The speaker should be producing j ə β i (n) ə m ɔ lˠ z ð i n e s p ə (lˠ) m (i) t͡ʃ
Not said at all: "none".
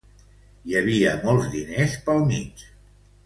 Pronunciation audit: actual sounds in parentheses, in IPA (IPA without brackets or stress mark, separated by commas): none, lˠ, i